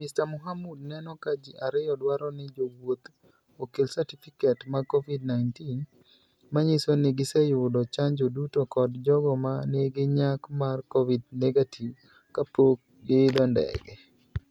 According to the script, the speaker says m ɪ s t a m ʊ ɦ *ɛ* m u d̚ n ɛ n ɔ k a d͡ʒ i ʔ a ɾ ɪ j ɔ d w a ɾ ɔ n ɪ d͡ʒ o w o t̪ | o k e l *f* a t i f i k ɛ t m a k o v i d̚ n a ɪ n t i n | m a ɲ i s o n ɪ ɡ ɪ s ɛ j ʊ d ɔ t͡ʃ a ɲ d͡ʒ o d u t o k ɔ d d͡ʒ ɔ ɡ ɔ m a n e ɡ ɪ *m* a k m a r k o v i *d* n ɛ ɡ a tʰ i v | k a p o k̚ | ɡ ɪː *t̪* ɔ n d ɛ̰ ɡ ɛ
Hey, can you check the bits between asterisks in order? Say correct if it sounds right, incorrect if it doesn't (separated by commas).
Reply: incorrect, incorrect, incorrect, correct, incorrect